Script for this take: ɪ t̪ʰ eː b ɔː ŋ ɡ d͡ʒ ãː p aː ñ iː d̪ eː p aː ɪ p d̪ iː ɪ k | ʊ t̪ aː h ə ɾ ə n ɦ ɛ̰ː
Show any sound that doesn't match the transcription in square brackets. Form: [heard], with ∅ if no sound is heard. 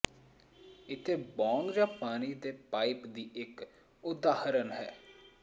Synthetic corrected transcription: ɪ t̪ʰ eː b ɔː ŋ ɡ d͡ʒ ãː p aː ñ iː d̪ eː p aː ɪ p d̪ iː ɪ k | ʊ [d̪] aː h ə ɾ ə n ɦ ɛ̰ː